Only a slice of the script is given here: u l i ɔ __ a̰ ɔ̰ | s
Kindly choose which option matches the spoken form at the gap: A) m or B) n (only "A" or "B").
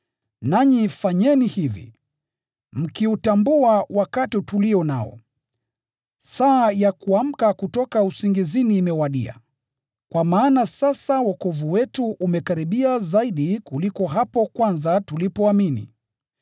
B